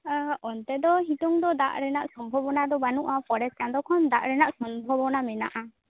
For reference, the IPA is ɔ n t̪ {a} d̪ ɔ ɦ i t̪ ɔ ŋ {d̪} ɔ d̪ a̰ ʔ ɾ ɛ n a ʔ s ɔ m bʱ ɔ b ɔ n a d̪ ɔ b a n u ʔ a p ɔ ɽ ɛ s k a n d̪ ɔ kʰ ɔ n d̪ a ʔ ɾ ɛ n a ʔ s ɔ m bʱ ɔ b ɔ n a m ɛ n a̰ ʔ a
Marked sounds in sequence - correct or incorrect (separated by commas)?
incorrect, correct